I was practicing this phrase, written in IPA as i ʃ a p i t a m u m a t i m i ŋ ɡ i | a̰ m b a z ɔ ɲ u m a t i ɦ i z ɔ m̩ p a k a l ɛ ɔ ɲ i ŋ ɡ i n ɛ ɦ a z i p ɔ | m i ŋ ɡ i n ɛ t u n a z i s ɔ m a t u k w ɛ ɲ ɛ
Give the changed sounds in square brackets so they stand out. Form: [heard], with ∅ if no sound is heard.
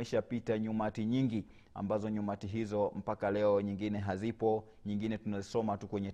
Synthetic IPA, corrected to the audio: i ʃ a p i t a [ɲ] u m a t i [ɲ] i ŋ ɡ i | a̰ m b a z ɔ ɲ u m a t i ɦ i z ɔ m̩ p a k a l ɛ ɔ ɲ i ŋ ɡ i n ɛ ɦ a z i p ɔ | [ɲ] i ŋ ɡ i n ɛ t u n a z i s ɔ m a t u k w ɛ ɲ ɛ